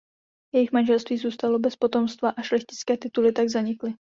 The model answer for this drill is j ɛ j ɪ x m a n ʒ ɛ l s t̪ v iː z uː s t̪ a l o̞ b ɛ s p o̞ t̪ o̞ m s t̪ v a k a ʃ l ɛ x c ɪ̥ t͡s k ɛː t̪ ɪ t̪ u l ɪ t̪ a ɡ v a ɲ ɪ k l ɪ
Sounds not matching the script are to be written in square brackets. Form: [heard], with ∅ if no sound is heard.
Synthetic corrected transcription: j ɛ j ɪ x m a n ʒ ɛ l s t̪ v iː z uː s t̪ a l o̞ b ɛ s p o̞ t̪ o̞ m s t̪ v a [ʔ] a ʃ l ɛ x c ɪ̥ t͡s k ɛː t̪ ɪ t̪ u l ɪ t̪ a ɡ [z] a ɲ ɪ k l ɪ